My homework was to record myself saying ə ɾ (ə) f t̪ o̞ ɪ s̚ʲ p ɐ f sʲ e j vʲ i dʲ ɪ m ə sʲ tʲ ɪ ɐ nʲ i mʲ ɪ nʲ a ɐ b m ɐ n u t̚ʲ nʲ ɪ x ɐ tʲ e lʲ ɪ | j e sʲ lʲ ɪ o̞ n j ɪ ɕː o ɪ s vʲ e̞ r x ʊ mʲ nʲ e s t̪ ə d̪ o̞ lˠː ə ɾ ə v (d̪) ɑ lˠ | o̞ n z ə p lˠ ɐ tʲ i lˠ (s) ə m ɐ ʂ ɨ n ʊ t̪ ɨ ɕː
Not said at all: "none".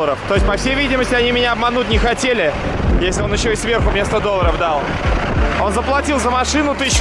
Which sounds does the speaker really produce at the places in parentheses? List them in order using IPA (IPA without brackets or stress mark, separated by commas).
ə, d̪, z